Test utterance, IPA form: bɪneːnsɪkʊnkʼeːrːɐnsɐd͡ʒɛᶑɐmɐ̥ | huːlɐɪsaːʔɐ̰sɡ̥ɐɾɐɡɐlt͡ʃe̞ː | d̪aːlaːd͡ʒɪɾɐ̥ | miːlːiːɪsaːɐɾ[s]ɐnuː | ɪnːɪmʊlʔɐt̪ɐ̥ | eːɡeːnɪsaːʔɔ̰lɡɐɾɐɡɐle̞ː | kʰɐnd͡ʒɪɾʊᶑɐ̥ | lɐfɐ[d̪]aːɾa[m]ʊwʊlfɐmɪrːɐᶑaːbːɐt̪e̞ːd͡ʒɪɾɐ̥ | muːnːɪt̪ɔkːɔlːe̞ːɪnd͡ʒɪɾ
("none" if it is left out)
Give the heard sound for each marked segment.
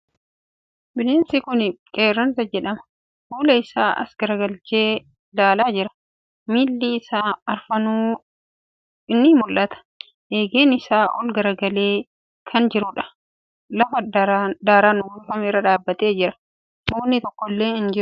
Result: f, d̪, n

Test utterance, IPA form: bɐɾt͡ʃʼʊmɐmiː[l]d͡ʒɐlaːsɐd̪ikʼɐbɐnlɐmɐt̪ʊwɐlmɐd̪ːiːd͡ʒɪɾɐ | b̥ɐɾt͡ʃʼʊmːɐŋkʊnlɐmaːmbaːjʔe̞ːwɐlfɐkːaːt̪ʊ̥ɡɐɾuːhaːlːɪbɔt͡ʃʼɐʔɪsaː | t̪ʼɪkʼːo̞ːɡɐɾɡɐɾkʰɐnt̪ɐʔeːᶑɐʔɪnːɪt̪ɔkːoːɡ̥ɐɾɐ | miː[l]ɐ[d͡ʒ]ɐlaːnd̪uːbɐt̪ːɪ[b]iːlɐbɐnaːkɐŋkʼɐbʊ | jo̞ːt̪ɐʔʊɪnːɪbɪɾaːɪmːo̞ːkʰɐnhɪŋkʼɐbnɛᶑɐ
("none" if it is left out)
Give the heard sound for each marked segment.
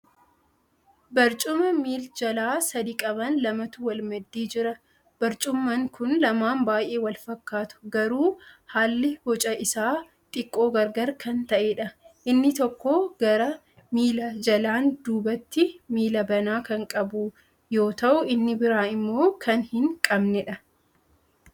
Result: l, l, d͡ʒ, m

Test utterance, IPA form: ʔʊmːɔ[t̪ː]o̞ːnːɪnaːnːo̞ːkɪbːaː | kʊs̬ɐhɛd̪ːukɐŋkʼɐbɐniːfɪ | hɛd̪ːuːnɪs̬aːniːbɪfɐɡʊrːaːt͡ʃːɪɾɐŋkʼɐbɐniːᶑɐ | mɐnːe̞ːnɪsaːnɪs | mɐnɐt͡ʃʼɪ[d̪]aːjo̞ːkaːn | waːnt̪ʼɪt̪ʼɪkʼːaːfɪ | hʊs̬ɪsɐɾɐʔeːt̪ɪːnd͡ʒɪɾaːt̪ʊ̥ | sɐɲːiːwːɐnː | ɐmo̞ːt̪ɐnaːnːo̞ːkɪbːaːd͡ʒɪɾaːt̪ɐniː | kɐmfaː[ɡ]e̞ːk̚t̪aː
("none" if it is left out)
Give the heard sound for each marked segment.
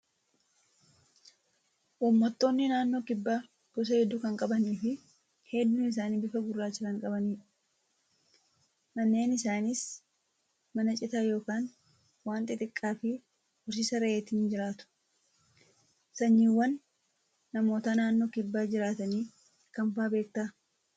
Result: t̪ː, t̪, b

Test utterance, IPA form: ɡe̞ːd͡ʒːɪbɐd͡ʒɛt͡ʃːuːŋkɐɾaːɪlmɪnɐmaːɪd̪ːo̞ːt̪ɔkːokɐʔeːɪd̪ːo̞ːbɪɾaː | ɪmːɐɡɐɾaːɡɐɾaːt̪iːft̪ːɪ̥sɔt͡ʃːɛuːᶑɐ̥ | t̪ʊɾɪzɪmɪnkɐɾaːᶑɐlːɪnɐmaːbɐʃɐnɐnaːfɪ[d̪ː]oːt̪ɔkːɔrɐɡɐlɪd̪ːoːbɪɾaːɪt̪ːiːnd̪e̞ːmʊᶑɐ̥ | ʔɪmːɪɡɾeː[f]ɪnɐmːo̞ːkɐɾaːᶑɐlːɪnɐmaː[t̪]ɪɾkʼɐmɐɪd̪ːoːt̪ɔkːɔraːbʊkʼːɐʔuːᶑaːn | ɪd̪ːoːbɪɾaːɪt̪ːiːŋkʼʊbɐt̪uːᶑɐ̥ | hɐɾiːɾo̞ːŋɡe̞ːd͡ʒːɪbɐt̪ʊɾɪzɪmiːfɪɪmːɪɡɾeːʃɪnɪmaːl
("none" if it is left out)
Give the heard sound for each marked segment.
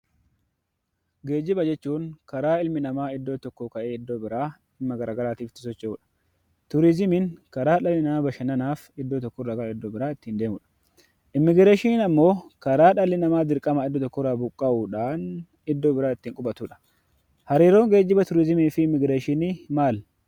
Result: d̪ː, ʃ, d̪

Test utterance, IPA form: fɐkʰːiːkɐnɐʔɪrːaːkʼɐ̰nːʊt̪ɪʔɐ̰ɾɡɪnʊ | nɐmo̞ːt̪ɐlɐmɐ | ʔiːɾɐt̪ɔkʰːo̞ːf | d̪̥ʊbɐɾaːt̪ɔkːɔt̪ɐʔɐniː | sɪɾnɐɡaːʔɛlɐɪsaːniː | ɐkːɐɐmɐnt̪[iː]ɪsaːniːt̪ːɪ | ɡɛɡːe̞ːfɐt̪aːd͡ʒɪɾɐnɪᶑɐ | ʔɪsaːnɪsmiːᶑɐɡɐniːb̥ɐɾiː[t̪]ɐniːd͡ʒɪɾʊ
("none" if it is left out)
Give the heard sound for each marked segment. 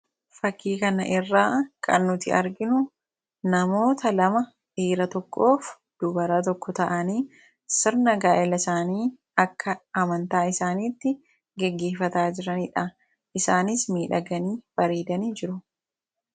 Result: aː, d̪

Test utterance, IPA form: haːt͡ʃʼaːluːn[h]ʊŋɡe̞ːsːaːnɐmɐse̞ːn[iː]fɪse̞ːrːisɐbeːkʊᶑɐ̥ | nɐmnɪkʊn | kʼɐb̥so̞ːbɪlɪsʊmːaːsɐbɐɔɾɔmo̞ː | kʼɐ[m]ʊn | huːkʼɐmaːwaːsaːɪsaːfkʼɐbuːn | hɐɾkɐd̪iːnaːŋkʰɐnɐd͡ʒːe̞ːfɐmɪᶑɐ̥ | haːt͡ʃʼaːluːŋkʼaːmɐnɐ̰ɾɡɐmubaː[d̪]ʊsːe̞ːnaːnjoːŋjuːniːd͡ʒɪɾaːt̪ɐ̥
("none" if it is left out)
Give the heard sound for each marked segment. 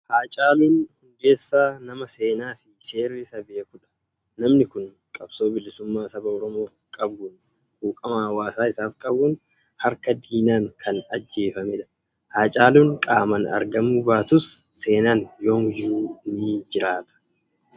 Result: h, aː, b, t̪

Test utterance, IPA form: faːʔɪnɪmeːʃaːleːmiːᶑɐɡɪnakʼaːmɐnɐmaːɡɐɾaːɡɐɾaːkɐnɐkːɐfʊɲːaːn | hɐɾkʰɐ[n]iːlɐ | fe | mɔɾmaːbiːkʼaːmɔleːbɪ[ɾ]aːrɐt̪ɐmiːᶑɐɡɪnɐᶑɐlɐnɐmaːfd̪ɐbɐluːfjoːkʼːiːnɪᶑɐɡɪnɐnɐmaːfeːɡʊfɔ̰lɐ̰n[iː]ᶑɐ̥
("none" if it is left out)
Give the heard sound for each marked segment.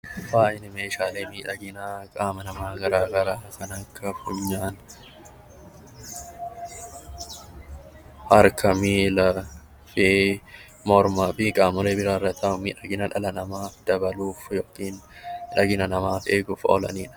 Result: m, ɾ, iː

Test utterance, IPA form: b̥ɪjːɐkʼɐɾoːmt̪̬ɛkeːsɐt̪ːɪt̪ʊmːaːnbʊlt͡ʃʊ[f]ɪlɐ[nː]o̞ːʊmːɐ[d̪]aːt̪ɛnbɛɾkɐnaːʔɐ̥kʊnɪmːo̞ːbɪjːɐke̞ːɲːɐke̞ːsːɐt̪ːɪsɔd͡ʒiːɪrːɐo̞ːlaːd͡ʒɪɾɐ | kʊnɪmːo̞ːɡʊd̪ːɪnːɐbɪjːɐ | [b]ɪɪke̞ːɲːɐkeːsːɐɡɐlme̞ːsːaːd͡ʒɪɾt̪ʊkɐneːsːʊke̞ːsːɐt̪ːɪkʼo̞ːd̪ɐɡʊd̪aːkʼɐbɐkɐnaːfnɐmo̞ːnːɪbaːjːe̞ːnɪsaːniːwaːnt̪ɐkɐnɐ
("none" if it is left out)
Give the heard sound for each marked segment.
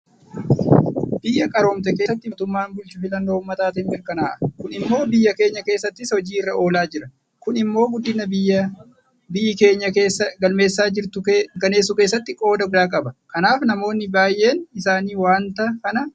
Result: f, nː, t̪, b

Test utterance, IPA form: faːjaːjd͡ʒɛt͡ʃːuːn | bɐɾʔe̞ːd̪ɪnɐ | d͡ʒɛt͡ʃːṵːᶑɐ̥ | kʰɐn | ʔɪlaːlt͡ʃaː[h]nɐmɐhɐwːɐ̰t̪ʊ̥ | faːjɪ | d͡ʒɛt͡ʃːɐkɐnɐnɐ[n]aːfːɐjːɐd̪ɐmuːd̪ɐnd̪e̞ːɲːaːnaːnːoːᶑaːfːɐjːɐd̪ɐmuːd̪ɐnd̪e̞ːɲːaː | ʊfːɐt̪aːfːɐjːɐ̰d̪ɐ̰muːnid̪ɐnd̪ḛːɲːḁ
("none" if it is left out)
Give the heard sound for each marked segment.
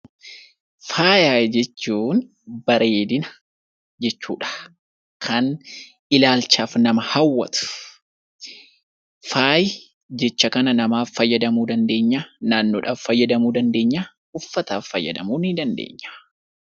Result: f, m

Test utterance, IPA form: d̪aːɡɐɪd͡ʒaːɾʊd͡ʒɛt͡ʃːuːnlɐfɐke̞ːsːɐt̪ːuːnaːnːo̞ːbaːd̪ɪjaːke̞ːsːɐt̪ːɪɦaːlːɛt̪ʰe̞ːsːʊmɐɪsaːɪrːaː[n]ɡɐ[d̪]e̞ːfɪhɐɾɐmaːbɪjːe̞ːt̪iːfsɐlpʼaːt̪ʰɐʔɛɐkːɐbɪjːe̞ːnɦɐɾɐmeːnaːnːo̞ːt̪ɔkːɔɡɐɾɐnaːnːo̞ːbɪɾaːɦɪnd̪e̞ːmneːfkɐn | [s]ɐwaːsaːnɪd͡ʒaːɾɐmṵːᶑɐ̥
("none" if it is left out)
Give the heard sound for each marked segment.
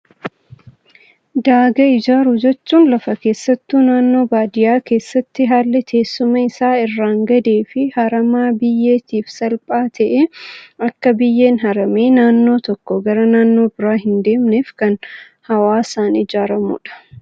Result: ŋ, d̪, h

